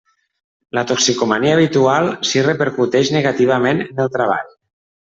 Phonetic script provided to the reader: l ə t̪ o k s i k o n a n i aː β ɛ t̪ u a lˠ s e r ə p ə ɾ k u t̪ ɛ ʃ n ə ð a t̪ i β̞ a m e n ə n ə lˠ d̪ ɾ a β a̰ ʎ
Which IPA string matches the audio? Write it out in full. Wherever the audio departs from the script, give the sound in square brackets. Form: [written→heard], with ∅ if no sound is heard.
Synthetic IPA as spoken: l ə t̪ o k s i k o [n→m] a n i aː β [ɛ→i] t̪ u a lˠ s [e→i] r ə p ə ɾ k u t̪ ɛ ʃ n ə [ð→ɣ] a t̪ i β̞ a m e n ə n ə lˠ [d̪→t̪] ɾ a β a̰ ʎ